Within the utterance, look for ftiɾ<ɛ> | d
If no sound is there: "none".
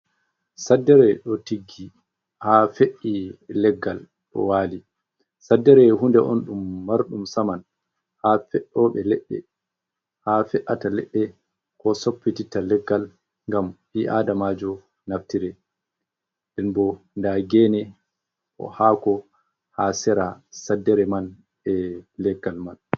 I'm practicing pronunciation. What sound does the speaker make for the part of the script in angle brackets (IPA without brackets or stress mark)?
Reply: ɛ